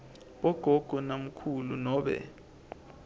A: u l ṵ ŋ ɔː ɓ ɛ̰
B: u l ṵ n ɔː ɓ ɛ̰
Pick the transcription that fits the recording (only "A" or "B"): B